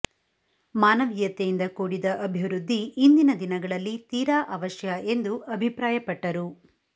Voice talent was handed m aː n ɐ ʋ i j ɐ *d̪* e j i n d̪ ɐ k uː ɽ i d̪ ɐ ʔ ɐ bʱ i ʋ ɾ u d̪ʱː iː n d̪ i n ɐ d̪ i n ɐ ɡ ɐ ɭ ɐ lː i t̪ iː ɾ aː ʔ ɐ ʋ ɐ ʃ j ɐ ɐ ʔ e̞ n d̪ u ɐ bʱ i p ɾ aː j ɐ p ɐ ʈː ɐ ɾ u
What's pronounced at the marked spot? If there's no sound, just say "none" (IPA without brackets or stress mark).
t̪